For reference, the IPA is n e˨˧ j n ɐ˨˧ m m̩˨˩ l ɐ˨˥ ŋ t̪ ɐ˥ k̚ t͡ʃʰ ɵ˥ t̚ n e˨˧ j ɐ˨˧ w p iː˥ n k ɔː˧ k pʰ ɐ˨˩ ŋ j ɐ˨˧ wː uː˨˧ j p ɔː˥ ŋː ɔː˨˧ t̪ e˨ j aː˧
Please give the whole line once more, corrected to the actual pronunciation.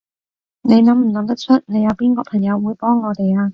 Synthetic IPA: n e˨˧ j n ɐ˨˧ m m̩˨˩ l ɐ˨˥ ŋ t̪ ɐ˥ k̚ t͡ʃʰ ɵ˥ t̚ n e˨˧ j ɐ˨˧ w p iː˥ n k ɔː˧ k pʰ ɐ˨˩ ŋ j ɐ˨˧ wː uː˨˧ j p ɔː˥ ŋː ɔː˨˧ t̪ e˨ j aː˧